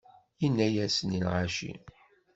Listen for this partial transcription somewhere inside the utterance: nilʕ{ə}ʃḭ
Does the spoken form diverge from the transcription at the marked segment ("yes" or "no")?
yes